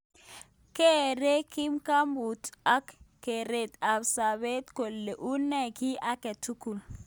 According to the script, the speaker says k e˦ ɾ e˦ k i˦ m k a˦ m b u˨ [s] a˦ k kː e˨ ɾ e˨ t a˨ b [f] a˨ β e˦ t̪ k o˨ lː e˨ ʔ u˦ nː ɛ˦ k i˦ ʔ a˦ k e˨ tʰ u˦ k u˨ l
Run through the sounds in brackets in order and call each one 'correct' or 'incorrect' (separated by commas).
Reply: incorrect, incorrect